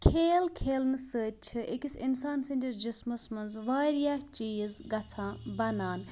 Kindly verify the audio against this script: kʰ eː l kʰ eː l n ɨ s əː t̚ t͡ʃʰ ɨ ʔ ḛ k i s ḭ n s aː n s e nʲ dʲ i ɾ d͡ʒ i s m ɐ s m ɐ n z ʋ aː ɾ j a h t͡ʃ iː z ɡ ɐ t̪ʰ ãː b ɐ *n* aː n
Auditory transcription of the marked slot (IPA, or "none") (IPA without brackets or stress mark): n